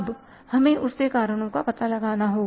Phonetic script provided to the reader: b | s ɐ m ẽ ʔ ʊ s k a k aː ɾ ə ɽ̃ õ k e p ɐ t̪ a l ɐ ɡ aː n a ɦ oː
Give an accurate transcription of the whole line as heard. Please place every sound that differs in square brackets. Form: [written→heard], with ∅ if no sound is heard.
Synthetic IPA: b | [s→h] ɐ m ẽ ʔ ʊ s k [a→e] k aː ɾ ə ɽ̃ õ k [e→a] p ɐ t̪ a l ɐ ɡ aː n a ɦ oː